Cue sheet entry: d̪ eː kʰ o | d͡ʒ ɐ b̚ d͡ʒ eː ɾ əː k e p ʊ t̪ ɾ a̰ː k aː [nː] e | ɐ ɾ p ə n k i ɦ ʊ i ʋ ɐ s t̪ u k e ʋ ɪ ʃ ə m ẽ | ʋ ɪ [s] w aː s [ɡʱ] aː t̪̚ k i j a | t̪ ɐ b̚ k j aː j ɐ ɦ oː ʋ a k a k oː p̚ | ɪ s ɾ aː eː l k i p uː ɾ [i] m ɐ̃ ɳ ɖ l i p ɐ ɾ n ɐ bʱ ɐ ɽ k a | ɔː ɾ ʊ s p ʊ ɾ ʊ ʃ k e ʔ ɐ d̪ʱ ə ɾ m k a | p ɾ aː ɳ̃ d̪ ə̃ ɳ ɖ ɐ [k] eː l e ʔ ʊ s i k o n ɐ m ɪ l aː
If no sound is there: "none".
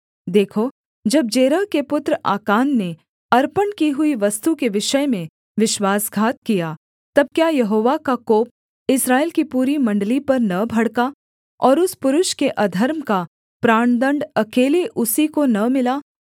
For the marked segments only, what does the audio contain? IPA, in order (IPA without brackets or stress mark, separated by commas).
nː, ʃ, ɡʱ, i, k